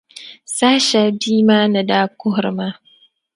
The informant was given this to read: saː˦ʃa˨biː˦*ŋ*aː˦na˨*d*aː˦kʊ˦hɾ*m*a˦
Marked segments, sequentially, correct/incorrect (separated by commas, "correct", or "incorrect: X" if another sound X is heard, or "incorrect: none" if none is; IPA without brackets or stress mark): incorrect: m, correct, correct